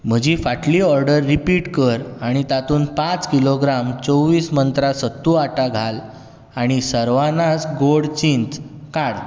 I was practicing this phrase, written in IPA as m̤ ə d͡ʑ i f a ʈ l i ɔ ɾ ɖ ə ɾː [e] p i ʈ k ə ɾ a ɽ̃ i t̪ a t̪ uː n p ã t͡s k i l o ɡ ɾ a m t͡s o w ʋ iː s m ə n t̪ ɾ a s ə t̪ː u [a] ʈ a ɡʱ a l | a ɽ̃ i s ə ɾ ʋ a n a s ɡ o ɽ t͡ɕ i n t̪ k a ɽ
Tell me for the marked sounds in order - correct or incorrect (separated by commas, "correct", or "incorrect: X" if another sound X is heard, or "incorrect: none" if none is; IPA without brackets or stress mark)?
incorrect: i, correct